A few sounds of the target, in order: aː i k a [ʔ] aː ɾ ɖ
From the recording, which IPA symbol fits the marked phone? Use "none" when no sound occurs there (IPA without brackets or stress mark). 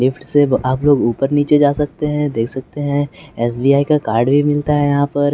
k